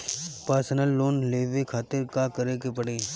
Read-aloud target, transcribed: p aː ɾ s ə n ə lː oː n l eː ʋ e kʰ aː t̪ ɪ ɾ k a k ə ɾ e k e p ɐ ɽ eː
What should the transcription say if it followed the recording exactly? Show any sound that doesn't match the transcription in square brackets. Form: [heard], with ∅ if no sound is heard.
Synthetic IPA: p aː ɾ s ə n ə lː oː n l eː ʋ e kʰ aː t̪ ɪ ɾ k a k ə ɾ e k e p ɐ ɽ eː